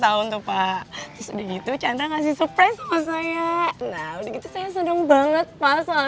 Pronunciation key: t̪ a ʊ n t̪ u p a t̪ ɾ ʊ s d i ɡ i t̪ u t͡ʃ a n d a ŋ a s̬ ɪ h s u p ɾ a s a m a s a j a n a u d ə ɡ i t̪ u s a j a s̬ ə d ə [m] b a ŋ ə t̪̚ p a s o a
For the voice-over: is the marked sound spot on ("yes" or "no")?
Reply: no